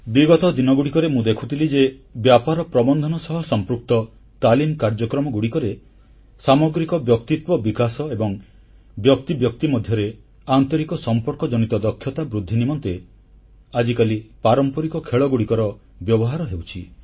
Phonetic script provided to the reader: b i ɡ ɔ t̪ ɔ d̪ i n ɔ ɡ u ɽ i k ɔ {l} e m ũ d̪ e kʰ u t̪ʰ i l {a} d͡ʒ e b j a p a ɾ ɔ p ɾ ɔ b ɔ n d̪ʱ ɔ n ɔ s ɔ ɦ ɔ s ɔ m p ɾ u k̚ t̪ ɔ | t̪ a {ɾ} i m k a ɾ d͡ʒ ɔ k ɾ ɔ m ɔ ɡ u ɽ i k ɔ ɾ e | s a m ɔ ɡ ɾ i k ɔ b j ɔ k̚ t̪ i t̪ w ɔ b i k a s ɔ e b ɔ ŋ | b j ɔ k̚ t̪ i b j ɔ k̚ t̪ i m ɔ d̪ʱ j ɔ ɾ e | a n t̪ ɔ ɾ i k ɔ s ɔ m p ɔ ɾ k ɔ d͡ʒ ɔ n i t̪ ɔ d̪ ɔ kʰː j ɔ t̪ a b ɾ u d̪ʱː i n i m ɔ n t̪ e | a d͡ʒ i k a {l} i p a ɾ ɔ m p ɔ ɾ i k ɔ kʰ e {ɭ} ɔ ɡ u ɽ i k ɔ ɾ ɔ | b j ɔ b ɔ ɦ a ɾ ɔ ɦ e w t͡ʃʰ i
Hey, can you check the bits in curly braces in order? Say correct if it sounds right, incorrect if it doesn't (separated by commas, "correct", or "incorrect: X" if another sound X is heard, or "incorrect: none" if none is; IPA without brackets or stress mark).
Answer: incorrect: ɾ, incorrect: i, incorrect: l, correct, correct